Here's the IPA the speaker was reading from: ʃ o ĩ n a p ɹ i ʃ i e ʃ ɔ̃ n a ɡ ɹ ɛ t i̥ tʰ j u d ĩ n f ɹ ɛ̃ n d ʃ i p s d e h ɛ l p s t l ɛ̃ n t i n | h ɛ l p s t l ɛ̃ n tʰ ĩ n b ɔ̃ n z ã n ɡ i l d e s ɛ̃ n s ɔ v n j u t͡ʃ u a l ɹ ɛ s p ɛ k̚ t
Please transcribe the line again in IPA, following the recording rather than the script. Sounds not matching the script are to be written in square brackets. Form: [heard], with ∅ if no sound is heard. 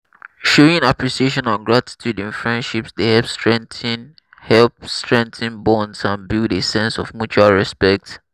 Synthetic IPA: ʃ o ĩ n a p ɹ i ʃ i e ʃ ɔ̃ n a ɡ ɹ [a] t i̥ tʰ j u d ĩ n f ɹ ɛ̃ n d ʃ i p s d e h ɛ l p s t [ɹ] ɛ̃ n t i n | h ɛ l p s t [ɹ] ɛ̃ n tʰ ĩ n b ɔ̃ n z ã n [b] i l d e s ɛ̃ n s ɔ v [m] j u t͡ʃ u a l ɹ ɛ s p ɛ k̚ t